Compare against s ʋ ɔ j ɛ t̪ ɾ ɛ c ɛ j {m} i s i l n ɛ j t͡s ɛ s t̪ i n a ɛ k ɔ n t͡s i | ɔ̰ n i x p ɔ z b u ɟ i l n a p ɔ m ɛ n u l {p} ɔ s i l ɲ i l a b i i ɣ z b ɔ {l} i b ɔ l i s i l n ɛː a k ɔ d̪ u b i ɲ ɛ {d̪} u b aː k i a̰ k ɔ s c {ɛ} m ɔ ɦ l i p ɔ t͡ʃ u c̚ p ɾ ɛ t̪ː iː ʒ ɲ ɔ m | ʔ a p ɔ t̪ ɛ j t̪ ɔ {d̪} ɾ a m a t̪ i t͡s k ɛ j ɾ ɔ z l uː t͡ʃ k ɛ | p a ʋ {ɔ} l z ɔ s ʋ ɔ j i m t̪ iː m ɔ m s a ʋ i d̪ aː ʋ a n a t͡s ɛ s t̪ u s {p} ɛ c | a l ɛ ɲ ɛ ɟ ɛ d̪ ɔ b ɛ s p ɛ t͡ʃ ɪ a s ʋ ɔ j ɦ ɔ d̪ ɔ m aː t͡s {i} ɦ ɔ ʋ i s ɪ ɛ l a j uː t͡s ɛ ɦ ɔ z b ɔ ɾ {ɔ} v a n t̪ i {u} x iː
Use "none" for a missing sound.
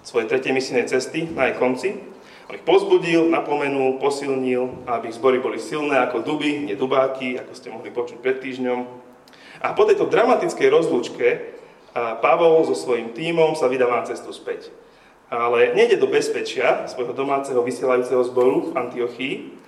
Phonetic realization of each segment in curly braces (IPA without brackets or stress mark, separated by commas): m, p, ɾ, d̪, ɛ, d̪, ɔ, p, ɛ, u, ɔ